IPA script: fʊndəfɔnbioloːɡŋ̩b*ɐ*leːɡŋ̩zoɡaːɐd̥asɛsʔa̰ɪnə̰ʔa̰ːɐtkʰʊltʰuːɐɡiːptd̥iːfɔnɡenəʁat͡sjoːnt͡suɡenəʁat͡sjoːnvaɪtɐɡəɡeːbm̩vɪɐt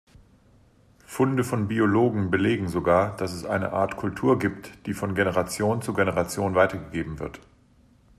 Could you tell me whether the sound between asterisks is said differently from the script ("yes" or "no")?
yes